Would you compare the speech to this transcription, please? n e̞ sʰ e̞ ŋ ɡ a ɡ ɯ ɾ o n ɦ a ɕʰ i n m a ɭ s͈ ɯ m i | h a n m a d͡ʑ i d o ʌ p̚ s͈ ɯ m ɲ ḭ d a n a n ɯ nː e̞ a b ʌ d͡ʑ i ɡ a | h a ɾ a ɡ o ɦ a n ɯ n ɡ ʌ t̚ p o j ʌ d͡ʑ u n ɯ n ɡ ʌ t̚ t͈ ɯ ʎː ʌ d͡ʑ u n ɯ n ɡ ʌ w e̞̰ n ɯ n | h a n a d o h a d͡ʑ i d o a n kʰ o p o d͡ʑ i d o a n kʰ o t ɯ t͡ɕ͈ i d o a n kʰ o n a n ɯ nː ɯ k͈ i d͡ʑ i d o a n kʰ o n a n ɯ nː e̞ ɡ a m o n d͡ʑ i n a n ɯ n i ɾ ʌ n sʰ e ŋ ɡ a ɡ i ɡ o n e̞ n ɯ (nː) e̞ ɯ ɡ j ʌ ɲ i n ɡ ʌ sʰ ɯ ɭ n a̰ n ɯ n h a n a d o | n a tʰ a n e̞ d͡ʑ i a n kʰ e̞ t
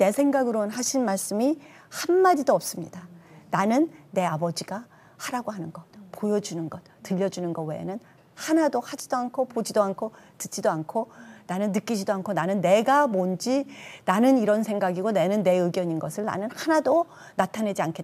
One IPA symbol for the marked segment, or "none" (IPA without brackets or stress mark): nː